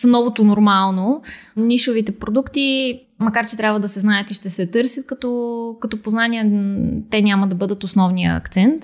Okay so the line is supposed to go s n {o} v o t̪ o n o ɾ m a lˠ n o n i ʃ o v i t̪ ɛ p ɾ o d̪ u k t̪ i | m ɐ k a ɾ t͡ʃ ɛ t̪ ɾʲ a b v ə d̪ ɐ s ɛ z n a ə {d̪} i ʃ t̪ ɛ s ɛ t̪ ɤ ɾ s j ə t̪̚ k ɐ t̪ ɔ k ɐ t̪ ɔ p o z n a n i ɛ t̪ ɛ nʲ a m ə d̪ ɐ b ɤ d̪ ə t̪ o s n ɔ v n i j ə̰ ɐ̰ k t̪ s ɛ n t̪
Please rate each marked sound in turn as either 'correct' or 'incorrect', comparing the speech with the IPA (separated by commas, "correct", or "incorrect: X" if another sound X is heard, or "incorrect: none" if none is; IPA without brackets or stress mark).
incorrect: ɔ, incorrect: t̪